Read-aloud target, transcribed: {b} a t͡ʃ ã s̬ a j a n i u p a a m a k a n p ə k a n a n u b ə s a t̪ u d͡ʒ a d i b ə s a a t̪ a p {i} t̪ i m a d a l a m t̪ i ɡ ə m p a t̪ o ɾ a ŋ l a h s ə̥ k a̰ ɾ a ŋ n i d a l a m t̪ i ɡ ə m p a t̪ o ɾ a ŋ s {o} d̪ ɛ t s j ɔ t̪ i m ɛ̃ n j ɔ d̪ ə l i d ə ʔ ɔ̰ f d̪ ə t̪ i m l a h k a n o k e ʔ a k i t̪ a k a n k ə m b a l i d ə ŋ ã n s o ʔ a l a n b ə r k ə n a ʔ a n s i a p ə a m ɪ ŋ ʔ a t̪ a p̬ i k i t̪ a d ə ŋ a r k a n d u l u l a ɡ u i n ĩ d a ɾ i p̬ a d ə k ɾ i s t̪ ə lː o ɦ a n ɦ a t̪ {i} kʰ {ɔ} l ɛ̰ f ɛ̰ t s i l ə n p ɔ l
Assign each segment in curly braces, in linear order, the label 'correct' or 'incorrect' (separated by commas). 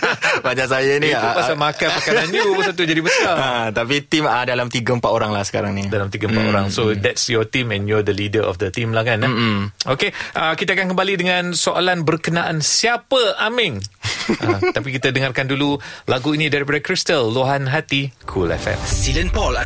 correct, correct, correct, correct, incorrect